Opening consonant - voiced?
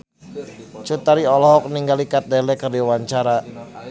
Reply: no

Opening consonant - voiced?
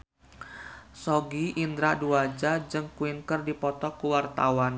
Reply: no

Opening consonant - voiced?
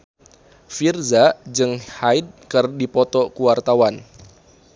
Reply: no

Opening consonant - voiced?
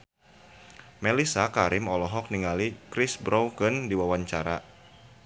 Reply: yes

